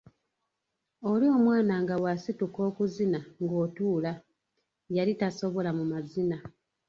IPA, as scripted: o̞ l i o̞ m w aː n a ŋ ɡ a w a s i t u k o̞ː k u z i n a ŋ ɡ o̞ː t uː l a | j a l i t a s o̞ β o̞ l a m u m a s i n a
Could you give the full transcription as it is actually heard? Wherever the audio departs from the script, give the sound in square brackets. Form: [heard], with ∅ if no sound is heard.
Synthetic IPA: o̞ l i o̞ m w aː n a ŋ ɡ a w a s i t u k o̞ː k u z i n a ŋ ɡ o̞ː t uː l a | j a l i t a s o̞ β o̞ l a m u m a [z] i n a